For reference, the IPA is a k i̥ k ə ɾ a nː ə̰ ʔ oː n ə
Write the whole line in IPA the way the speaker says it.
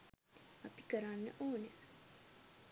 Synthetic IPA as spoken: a p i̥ k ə ɾ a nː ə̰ ʔ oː n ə

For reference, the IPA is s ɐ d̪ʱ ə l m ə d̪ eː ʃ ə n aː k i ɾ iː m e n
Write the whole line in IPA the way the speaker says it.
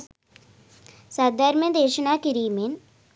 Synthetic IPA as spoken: s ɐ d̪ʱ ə ɾ m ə d̪ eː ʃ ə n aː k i ɾ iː m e n

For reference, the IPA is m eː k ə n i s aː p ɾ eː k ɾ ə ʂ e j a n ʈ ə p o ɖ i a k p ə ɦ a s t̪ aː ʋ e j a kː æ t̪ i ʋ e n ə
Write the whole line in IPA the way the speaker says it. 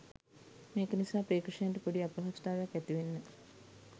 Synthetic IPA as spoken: m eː k ə n i s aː p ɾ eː k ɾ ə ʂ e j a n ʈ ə p o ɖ i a p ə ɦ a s t̪ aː ʋ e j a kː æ t̪ i ʋ e nː ə

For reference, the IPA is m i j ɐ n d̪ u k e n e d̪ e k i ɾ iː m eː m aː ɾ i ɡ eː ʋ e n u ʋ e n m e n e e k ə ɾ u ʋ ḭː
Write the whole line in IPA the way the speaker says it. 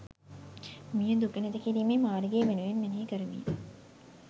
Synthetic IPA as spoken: m i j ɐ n d̪ u k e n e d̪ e k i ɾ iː m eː m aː ɾ i ɡ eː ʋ e n u ʋ e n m e n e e k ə ɾ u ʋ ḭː

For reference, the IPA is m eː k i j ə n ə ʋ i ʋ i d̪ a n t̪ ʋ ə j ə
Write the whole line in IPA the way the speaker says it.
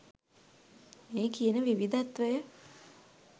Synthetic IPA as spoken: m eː k i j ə n ə ʋ i ʋ i d̪ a t̪ ʋ ə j ə

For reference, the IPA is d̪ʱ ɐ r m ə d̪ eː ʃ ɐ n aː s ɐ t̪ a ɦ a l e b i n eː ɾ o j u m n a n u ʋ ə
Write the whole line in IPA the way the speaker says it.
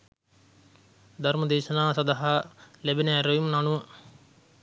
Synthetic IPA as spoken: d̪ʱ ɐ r m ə d̪ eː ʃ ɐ n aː s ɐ d̪ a ɦ a l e b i n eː ɾ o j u m n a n u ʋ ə

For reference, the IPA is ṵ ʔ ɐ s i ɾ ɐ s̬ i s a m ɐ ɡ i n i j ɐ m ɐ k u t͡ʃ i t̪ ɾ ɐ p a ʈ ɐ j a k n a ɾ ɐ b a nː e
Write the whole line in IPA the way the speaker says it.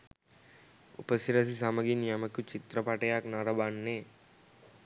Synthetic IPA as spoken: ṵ p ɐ s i ɾ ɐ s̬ i s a m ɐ ɡ i n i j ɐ m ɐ k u t͡ʃ i t̪ ɾ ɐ p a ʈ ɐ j a k n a ɾ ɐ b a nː e

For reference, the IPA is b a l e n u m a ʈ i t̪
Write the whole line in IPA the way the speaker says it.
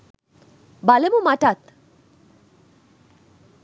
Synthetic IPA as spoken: b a l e m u m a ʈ a t̪

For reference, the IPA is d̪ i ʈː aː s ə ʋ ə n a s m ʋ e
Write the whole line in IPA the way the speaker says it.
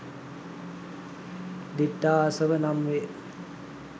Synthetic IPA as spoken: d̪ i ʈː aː s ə ʋ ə n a m ʋ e

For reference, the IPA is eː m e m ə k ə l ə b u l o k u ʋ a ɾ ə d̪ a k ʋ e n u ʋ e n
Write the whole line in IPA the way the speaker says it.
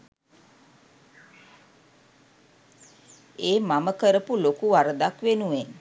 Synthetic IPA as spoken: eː m a m ə k ə ɾ ə p u l o k u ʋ a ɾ ə d̪ a k ʋ e n u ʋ e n

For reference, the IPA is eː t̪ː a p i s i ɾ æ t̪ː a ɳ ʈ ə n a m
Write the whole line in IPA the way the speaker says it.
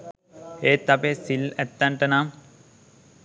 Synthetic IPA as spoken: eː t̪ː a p e s i l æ t̪ː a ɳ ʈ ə n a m

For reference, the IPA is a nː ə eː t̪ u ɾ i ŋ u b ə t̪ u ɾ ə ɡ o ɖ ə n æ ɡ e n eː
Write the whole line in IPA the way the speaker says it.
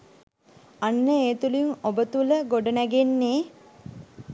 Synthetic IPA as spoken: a nː ə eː t̪ u l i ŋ o b ə t̪ u l ə ɡ o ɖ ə n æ ɡ e nː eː

